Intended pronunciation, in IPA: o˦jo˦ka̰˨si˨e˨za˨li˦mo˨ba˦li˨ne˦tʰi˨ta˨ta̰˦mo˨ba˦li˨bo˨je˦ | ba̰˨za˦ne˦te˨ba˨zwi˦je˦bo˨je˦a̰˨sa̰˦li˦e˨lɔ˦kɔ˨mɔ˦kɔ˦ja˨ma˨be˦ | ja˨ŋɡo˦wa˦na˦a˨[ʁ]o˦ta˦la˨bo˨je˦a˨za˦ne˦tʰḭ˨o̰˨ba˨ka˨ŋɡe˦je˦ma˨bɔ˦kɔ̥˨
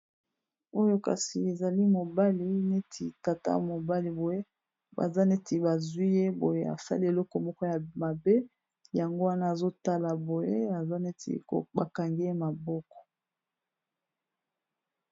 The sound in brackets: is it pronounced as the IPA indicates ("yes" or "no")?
no